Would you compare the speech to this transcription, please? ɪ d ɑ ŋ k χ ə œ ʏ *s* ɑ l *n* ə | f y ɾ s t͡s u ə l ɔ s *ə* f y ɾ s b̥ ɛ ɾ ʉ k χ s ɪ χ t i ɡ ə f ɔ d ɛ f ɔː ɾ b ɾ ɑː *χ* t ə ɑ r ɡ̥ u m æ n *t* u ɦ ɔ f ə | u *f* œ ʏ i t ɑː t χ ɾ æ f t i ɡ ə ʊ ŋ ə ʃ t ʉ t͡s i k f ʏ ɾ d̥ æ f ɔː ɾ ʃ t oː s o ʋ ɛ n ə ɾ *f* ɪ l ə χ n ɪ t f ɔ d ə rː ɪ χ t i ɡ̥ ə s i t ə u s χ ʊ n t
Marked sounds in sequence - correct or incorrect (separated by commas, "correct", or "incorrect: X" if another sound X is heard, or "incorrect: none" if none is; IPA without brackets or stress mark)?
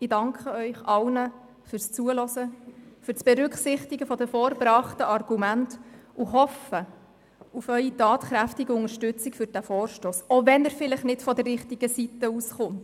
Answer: incorrect: χ, correct, correct, correct, correct, correct, correct